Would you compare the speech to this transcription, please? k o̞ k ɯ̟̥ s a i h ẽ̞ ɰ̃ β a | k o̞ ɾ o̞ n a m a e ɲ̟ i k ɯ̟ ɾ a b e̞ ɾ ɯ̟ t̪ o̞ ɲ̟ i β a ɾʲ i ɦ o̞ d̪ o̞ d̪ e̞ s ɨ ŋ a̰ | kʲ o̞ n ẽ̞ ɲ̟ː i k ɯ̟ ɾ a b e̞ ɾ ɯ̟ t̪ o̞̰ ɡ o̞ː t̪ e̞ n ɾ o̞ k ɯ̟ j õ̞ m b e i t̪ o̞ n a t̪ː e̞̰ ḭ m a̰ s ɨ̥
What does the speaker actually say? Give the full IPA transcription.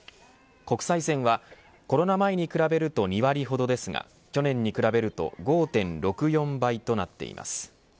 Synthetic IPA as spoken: k o̞ k ɯ̟̥ s a i s ẽ̞ ɰ̃ β a | k o̞ ɾ o̞ n a m a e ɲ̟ i k ɯ̟ ɾ a b e̞ ɾ ɯ̟ t̪ o̞ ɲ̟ i β a ɾʲ i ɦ o̞ d̪ o̞ d̪ e̞ s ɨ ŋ a̰ | kʲ o̞ n ẽ̞ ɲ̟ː i k ɯ̟ ɾ a b e̞ ɾ ɯ̟ t̪ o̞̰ ɡ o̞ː t̪ ẽ̞ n ɾ o̞ k ɯ̟ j õ̞ m b a i t̪ o̞ n a t̪ː e̞̰ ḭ m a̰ s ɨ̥